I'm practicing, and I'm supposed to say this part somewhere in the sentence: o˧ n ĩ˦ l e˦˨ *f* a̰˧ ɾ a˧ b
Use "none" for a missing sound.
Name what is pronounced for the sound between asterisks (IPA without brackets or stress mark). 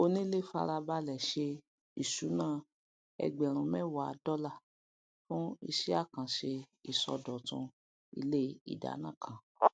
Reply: f